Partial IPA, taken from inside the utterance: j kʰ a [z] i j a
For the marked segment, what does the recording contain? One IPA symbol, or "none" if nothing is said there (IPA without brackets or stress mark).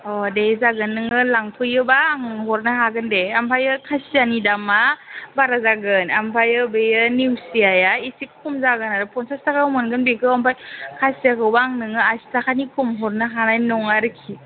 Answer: s